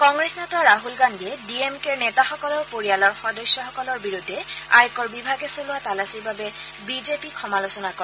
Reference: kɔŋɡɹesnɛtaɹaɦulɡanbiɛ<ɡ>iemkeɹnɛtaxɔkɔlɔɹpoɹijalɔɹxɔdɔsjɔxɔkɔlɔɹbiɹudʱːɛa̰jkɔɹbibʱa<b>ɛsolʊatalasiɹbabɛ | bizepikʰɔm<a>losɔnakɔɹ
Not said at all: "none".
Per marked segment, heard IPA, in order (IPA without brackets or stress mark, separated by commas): d, ɡ, a